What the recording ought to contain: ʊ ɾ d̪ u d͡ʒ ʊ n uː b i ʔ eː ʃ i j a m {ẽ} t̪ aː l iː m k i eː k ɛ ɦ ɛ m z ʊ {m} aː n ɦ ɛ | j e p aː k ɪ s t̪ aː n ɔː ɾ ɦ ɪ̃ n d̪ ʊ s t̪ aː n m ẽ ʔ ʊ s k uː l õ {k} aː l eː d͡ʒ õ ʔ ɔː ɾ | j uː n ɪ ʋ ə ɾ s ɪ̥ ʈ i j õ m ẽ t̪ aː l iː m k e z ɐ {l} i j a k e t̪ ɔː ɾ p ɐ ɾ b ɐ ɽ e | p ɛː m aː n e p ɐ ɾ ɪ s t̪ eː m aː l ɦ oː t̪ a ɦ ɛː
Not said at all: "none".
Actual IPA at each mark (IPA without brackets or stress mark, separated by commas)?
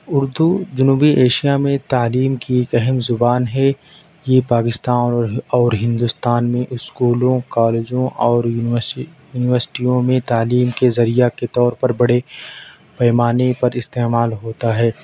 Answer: ẽ, b, k, ɾ